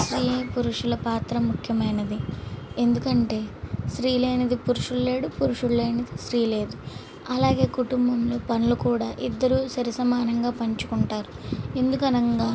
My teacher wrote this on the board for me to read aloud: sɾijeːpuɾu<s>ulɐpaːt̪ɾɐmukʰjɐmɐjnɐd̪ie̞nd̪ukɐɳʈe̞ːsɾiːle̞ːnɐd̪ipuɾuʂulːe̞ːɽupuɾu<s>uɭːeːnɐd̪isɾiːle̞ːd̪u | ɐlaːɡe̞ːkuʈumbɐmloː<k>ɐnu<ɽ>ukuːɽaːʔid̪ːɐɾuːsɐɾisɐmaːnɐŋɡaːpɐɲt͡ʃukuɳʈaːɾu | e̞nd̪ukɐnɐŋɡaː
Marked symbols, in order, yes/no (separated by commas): no, no, no, no